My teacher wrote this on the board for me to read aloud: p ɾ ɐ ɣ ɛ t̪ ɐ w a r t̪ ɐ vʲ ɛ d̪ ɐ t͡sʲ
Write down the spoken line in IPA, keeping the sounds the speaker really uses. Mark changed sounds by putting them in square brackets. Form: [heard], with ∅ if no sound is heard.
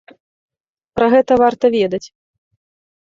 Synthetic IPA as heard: p ɾ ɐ ɣ ɛ t̪ ɐ [v] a r t̪ ɐ vʲ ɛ d̪ ɐ t͡sʲ

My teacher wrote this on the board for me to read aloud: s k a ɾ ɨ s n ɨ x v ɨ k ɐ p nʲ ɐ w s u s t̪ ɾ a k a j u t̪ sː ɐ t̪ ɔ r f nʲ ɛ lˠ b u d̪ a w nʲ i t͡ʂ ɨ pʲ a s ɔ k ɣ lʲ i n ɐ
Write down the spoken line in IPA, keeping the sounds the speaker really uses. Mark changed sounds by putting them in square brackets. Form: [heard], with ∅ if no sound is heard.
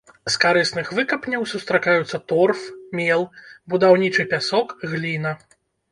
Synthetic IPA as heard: s k a ɾ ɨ s n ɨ x v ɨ k ɐ p nʲ ɐ w s u s t̪ ɾ a k a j u t̪ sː ɐ t̪ ɔ r f [mʲ] ɛ lˠ b u d̪ a w nʲ i t͡ʂ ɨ pʲ a s ɔ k ɣ lʲ i n ɐ

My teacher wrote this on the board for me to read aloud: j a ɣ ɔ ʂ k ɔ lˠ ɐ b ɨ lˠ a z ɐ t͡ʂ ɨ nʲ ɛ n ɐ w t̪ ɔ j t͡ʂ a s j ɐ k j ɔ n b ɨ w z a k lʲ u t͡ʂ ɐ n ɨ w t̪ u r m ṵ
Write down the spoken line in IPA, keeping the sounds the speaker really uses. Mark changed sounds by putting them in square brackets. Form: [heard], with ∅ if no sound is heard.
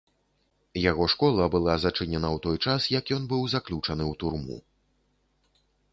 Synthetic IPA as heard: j a ɣ ɔ ʂ k ɔ lˠ ɐ b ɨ lˠ a z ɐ t͡ʂ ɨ nʲ ɛ n ɐ w t̪ ɔ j t͡ʂ a s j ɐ k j ɔ n b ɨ w z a k lʲ u t͡ʂ ɐ n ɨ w t̪ u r m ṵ

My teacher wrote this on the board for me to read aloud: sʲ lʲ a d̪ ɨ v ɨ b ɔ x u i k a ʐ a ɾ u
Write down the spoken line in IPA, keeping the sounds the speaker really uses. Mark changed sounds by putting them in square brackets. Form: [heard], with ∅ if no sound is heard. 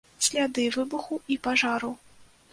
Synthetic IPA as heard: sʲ lʲ a d̪ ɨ v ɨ b [u] x u i [p] a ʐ a ɾ u

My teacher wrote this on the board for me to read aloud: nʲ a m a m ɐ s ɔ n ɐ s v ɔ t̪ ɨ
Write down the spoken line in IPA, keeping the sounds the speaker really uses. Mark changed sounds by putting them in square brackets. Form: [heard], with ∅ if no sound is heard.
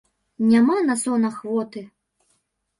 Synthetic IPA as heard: nʲ a m a [n] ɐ s ɔ n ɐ [x] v ɔ t̪ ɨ

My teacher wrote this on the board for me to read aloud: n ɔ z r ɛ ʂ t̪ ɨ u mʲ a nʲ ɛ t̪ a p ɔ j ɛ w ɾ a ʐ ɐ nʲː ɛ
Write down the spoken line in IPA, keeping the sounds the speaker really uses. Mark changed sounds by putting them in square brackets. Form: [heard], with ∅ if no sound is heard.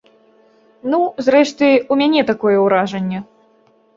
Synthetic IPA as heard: n [u] z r ɛ ʂ t̪ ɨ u mʲ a nʲ ɛ t̪ a [k] ɔ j ɛ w ɾ a ʐ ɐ nʲː ɛ

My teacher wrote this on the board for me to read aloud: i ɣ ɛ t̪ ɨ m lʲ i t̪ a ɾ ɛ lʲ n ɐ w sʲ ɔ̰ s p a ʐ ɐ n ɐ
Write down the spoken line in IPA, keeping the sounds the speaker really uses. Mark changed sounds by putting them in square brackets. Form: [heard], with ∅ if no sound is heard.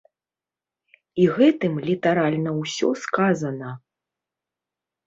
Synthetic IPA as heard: i ɣ ɛ t̪ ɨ m lʲ i t̪ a ɾ [a] lʲ n ɐ w sʲ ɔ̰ s [k] a [z] ɐ n ɐ

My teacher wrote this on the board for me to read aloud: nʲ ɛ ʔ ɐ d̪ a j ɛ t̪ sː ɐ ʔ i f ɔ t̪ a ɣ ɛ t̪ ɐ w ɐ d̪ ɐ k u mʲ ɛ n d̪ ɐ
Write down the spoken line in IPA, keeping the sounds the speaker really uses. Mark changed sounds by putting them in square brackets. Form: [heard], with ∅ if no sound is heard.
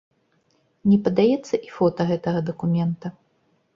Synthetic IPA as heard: nʲ ɛ [p] ɐ d̪ a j ɛ t̪ sː ɐ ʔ i f ɔ t̪ [ɐ] ɣ ɛ t̪ ɐ [ɣ] ɐ d̪ ɐ k u mʲ ɛ n [t̪] ɐ

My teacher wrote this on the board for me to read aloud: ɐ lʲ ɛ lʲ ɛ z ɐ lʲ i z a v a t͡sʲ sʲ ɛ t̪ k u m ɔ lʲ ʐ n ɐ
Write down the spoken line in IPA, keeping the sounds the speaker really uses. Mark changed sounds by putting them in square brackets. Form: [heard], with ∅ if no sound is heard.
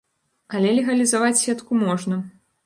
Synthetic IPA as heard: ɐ lʲ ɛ lʲ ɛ [ɣ] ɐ lʲ i z a v a t͡sʲ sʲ ɛ t̪ k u m ɔ [∅] ʐ n ɐ

